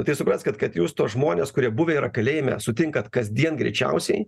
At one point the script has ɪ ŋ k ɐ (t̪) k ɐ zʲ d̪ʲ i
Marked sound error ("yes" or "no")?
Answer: no